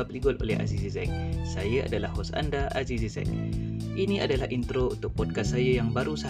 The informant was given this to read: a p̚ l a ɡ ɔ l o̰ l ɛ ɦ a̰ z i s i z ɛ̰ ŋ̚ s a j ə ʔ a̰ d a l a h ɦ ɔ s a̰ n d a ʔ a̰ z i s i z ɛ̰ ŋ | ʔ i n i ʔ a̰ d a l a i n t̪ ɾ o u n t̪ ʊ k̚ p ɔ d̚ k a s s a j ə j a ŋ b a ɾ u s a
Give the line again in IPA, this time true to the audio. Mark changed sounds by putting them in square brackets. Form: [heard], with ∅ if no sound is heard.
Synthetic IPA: a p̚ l [i] ɡ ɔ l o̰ l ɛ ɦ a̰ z i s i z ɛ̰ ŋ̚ s a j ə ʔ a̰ d a l a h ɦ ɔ s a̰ n d a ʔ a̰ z i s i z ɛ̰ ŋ | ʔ i n i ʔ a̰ d a l a i n t̪ ɾ o u n t̪ ʊ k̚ p ɔ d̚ k a s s a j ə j a ŋ b a ɾ u s a